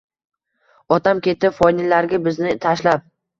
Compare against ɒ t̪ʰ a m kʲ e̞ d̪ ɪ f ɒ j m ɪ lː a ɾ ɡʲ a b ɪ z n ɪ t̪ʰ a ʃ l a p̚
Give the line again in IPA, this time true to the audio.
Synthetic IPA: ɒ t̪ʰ a m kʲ e̞ t̪ ɪ f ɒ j n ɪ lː a ɾ ɡʲ a b ɪ z n ɪ t̪ʰ a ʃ l a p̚